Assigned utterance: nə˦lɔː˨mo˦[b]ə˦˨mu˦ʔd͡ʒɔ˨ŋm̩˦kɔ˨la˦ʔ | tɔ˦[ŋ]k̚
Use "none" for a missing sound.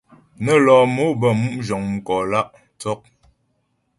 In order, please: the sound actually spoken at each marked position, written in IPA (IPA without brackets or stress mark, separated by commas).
b, none